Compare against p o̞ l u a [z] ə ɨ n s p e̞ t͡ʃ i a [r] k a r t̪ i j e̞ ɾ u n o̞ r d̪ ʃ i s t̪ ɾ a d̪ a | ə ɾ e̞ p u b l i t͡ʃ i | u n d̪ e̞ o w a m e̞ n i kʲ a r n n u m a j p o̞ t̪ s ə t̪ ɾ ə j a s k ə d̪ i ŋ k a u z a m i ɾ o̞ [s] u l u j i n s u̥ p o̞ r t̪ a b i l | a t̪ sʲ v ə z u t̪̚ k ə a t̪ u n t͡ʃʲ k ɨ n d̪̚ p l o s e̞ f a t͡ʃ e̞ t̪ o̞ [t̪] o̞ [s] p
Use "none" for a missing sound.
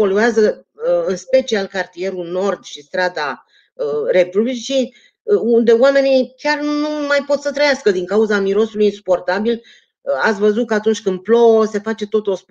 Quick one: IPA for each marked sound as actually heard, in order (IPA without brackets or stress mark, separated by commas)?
z, l, s, t̪, s